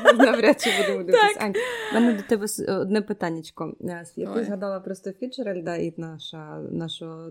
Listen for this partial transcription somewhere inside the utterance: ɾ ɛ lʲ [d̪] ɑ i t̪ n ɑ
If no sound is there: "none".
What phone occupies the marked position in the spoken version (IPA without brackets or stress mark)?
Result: d̪